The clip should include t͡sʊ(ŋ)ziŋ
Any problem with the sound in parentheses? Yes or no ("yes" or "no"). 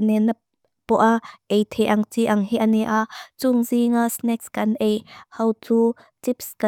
no